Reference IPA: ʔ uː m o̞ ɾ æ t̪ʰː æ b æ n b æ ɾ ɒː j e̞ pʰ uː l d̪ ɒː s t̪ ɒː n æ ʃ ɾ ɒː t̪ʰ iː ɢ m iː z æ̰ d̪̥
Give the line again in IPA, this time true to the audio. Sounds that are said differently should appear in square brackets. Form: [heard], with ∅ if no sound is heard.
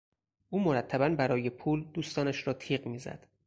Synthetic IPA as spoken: ʔ uː m o̞ ɾ æ t̪ʰː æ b æ n b æ ɾ ɒː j e̞ pʰ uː l d̪ [uː] s t̪ ɒː n æ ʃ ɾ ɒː t̪ʰ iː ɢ m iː z æ̰ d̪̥